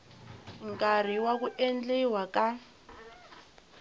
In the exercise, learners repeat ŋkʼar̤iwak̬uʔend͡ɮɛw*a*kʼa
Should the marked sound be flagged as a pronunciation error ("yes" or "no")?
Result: no